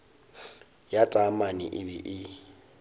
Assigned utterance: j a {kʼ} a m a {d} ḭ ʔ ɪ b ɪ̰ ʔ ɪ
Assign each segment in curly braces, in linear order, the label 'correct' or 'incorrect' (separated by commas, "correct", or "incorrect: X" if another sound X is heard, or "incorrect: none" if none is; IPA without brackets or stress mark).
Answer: incorrect: tʼ, incorrect: n